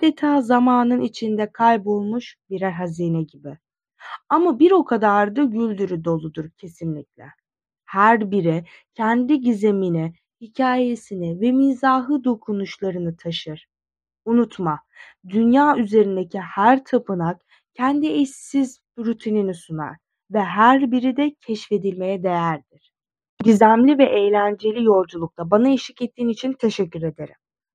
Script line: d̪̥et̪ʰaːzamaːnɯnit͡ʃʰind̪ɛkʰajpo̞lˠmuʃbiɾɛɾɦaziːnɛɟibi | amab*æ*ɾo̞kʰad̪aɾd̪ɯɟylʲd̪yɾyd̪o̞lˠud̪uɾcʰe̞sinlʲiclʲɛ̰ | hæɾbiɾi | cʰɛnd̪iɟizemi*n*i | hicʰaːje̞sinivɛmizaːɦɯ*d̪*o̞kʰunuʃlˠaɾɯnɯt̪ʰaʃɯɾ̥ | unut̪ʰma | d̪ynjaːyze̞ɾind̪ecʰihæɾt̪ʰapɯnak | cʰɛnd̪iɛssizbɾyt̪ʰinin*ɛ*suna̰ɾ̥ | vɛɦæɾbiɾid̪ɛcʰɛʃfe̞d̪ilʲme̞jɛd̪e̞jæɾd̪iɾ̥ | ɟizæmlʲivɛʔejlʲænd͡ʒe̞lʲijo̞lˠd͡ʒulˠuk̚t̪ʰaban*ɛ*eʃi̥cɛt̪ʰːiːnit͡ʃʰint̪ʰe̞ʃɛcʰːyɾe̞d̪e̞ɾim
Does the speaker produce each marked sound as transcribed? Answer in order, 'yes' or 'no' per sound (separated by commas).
no, yes, yes, no, no